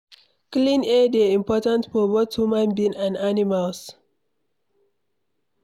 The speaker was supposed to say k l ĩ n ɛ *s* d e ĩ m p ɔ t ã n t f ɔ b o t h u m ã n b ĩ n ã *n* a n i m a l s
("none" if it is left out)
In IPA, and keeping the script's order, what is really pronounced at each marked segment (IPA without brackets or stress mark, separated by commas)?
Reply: none, n